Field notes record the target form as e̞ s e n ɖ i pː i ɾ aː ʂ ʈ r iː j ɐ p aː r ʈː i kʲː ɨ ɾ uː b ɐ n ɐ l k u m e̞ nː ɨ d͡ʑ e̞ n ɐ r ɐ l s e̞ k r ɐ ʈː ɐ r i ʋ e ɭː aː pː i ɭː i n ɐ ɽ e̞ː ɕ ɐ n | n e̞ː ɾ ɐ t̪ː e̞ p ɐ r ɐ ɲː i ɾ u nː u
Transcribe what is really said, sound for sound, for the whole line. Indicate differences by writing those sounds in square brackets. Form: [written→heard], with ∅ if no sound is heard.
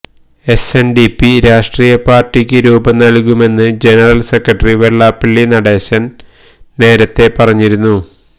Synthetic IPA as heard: e̞ s e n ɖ i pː i ɾ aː ʂ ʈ r iː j ɐ p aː r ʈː i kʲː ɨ ɾ uː b ɐ n ɐ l k u m e̞ nː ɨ d͡ʑ e̞ n ɐ r ɐ l s e̞ k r ɐ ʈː ɐ r i ʋ e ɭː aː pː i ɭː i n ɐ ɽ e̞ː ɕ ɐ n | n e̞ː ɾ ɐ t̪ː e̞ p ɐ r ɐ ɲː i ɾ u nː u